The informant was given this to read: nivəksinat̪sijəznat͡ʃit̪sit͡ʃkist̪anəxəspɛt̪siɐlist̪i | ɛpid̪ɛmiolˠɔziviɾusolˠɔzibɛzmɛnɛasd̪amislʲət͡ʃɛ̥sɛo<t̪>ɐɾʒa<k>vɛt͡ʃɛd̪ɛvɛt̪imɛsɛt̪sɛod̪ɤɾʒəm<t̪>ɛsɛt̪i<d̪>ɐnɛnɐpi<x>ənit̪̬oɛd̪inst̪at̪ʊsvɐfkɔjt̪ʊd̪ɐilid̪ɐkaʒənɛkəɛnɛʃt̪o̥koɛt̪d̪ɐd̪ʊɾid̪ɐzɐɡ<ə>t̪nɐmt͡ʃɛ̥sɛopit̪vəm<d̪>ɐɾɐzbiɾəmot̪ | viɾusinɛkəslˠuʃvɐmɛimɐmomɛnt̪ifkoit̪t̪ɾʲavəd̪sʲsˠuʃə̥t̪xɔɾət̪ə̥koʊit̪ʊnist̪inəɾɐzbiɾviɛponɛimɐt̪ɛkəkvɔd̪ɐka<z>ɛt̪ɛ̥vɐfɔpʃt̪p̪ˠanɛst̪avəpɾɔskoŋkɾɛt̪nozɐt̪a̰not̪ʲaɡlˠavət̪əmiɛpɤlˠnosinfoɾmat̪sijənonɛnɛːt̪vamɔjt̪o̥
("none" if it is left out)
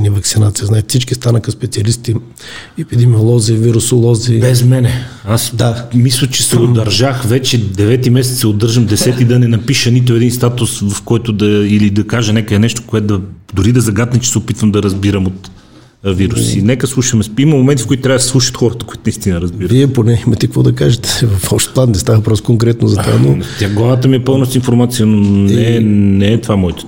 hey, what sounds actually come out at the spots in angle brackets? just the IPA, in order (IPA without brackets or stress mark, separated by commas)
d̪, x, d̪, d̪, ʃ, a, d̪, ʒ